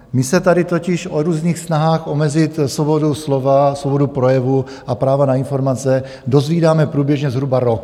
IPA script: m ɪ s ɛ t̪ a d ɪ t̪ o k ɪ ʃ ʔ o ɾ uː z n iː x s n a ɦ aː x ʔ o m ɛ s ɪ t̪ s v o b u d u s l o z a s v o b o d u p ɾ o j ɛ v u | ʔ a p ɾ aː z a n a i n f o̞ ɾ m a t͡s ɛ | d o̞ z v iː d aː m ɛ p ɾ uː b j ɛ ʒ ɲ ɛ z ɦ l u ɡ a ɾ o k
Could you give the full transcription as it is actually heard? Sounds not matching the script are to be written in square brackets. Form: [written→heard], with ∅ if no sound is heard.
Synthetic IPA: m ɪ s ɛ t̪ a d ɪ t̪ o [k→c] ɪ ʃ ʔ o ɾ uː z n iː x s n a ɦ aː x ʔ o m ɛ [s→z] ɪ t̪ s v o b [u→o] d u s l o [z→v] a s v o b o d u p ɾ o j ɛ v u | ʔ a p ɾ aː [z→v] a n a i n f o̞ ɾ m a t͡s ɛ | d o̞ z v iː d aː m ɛ p ɾ uː b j ɛ ʒ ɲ ɛ z ɦ [l→ɾ] u [ɡ→b] a ɾ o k